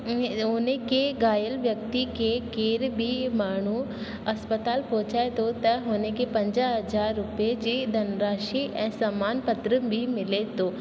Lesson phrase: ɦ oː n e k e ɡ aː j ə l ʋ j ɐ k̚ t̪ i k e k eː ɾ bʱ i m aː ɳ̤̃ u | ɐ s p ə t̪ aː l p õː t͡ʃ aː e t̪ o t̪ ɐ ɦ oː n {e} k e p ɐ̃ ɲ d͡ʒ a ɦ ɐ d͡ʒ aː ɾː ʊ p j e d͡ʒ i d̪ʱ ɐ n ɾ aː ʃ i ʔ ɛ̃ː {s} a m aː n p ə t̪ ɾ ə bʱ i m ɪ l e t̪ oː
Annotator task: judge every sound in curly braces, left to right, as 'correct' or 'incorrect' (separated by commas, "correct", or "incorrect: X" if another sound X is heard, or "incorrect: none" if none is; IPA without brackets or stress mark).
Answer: correct, correct